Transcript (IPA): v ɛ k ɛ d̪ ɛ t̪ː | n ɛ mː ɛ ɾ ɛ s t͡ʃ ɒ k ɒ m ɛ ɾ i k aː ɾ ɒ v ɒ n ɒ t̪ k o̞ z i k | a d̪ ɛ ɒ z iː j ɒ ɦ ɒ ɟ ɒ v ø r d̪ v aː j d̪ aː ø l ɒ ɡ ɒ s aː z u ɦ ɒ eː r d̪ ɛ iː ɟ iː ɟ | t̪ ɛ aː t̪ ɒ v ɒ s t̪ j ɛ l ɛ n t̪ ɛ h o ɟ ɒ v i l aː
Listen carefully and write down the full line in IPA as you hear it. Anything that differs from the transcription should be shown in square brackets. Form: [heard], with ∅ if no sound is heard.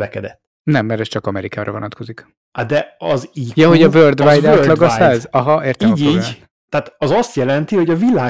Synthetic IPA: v ɛ k ɛ d̪ ɛ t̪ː | n ɛ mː ɛ ɾ ɛ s t͡ʃ ɒ k ɒ m ɛ ɾ i k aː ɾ ɒ v [o] n ɒ t̪ k o̞ z i k | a d̪ ɛ ɒ z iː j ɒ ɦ [o] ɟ ɒ v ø r d̪ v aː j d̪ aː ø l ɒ ɡ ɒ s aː z [ɒ] ɦ ɒ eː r [t̪] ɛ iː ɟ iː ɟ | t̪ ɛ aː t̪ ɒ [z] ɒ s t̪ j ɛ l ɛ n t̪ [i] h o ɟ ɒ v i l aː